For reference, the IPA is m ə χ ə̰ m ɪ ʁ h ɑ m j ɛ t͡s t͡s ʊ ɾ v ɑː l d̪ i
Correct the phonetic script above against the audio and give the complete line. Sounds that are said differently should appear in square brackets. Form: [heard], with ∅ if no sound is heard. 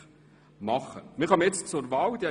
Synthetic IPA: m [ɑ] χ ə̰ m ɪ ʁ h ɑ m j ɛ t͡s t͡s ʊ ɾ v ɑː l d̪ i